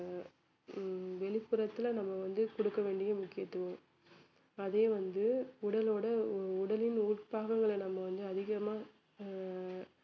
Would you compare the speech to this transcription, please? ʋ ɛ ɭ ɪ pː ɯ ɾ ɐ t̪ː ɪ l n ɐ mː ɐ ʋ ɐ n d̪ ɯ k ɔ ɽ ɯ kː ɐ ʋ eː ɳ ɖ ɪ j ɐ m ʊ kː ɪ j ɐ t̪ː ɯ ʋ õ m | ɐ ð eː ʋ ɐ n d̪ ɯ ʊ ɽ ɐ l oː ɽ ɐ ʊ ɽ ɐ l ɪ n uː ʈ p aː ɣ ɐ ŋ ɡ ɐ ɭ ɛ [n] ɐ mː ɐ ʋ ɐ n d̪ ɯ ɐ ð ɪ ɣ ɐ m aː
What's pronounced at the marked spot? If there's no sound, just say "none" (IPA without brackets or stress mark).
n